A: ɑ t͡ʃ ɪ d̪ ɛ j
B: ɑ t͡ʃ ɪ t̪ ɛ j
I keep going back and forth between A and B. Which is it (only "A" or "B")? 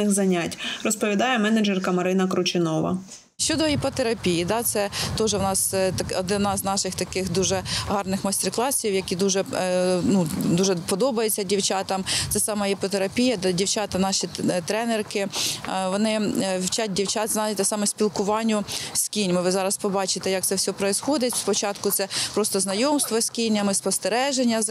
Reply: B